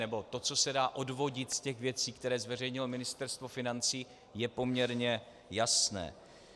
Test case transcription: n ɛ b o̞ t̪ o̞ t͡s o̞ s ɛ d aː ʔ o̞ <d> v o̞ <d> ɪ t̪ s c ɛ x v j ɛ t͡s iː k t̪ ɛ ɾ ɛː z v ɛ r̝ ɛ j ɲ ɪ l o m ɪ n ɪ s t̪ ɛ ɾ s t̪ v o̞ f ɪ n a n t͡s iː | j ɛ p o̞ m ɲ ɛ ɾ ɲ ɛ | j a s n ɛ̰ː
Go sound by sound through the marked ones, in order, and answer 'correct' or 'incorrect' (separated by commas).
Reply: correct, incorrect